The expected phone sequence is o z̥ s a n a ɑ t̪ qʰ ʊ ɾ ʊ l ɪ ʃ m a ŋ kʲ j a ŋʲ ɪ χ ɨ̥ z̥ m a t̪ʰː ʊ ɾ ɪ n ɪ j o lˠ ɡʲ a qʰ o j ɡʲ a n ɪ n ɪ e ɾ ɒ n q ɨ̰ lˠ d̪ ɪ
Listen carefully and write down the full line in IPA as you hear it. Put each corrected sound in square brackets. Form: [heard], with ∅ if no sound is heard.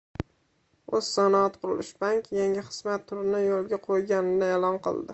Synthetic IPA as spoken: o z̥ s a n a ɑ t̪ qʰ ʊ ɾ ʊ l ɪ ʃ [b] a ŋ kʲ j a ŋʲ ɪ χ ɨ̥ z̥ m a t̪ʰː ʊ ɾ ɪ n ɪ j o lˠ ɡʲ a qʰ o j ɡʲ a n ɪ n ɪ e [l] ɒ n q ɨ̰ lˠ d̪ ɪ

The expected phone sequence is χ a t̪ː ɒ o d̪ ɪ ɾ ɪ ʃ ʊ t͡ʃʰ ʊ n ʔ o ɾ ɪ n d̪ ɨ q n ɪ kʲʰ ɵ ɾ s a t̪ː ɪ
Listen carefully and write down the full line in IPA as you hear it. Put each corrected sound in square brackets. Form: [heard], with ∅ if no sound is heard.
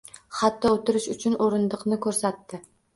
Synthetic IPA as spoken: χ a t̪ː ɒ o [t̪] ɪ ɾ ɪ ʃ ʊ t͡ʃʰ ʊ n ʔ o ɾ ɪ n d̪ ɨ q n ɪ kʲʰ ɵ ɾ s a t̪ː ɪ

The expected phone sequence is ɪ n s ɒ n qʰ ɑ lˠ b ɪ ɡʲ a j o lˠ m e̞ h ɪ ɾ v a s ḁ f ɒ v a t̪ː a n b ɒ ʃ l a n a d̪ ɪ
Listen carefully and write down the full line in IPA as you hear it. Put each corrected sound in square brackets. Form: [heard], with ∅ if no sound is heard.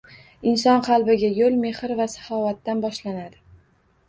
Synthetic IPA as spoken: ɪ n s ɒ n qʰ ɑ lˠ b ɪ ɡʲ a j o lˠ m e̞ h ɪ ɾ v a s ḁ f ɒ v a t̪ː a n b ɒ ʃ l a n a d̪ ɪ

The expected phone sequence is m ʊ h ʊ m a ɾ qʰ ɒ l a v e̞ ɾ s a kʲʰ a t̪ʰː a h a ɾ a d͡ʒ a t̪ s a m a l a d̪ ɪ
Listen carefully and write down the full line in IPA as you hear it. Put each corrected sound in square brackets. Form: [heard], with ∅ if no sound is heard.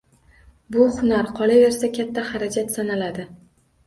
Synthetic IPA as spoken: [b] ʊ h ʊ [n] a ɾ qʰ ɒ l a v e̞ ɾ s a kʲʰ a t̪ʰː a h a ɾ a d͡ʒ a t̪ s a [n] a l a d̪ ɪ

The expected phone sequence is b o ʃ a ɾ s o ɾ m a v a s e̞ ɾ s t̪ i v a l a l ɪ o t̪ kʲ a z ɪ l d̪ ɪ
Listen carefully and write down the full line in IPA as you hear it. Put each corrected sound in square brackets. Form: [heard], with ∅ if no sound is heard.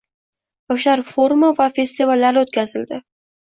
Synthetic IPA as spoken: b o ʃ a ɾ [f] o ɾ m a v a [f] e̞ [∅] s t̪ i v a [lː] a [ɾ] ɪ o t̪ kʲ a z ɪ l d̪ ɪ

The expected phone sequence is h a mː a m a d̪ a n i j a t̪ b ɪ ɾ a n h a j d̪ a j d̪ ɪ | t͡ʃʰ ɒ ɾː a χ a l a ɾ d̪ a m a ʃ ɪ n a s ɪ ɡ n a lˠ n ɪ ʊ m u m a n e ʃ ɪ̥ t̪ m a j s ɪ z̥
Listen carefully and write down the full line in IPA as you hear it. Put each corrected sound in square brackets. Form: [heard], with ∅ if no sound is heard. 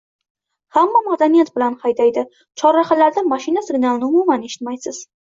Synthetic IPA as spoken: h a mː a m a d̪ a n i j a t̪ b ɪ [l] a n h a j d̪ a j d̪ ɪ | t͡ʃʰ ɒ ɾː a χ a l a ɾ d̪ a m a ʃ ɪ n a s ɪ ɡ n a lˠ n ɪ ʊ m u m a n e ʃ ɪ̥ t̪ m a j s ɪ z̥

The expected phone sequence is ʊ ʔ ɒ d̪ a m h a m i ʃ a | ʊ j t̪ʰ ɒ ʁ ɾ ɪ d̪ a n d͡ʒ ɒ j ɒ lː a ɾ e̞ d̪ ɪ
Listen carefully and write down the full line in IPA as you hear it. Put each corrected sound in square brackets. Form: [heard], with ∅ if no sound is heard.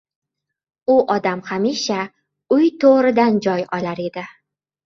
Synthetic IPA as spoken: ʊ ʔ ɒ d̪ a m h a m i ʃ a | ʊ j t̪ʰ [o] ʁ ɾ ɪ d̪ a n d͡ʒ ɒ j ɒ [l] a ɾ e̞ d̪ ɪ

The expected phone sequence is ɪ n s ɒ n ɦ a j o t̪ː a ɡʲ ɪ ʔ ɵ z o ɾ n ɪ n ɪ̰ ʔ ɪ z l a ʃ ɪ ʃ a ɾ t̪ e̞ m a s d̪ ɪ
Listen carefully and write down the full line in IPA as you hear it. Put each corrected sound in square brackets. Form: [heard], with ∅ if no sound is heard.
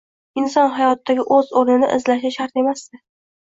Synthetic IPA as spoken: ɪ n s ɒ n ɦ a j [ɒ] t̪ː a ɡʲ ɪ ʔ ɵ z o ɾ n ɪ n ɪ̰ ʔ ɪ z l a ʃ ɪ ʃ a ɾ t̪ e̞ m a s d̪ ɪ

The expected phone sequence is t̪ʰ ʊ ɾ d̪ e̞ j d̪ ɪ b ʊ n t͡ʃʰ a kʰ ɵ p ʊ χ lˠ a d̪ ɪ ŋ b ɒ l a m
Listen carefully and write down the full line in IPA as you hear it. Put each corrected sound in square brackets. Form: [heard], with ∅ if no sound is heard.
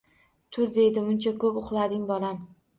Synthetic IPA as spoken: t̪ʰ ʊ ɾ d̪ e̞ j d̪ ɪ [m] ʊ n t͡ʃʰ a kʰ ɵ p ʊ χ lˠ a d̪ ɪ ŋ b ɒ l a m

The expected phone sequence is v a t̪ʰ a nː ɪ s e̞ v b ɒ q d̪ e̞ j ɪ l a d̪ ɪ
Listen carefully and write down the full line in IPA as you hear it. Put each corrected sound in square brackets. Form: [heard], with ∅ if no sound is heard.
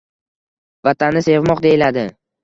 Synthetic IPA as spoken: v a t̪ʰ a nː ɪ s e̞ v [m] ɒ q d̪ e̞ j ɪ l a d̪ ɪ

